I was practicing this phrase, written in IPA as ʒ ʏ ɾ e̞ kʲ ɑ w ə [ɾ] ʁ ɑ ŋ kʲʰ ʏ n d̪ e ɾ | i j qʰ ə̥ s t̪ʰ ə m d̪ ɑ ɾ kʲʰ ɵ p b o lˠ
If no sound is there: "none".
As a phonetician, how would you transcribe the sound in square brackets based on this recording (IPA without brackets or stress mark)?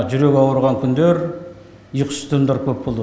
ɾ